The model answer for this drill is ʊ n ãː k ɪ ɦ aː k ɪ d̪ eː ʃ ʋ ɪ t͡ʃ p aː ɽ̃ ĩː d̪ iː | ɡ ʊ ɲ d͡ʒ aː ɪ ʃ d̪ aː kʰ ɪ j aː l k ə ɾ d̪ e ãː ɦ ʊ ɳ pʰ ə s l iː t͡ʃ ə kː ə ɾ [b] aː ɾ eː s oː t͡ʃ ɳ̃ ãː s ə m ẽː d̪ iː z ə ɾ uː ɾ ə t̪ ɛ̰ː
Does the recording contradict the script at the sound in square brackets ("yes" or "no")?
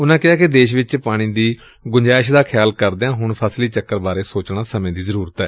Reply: no